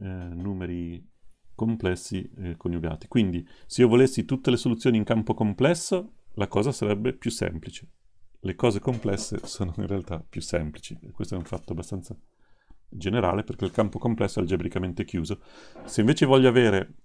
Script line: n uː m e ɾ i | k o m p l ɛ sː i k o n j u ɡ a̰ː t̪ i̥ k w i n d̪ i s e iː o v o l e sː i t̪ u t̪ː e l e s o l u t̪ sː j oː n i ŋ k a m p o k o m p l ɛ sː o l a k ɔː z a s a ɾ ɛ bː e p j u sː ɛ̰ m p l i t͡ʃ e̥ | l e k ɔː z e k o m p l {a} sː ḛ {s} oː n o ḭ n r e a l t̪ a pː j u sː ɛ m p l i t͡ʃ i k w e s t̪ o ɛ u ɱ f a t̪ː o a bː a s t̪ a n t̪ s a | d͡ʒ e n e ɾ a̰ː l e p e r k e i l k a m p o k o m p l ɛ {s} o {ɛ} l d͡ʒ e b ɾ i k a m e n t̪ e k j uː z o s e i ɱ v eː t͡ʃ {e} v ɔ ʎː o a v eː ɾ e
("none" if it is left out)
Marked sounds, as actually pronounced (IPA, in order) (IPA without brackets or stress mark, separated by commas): ɛ, s, sː, ɛ, e